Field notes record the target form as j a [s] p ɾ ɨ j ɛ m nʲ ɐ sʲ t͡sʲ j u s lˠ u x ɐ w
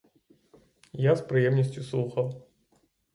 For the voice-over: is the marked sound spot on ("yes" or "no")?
yes